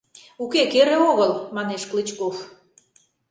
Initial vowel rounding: rounded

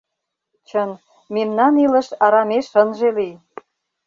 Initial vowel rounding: unrounded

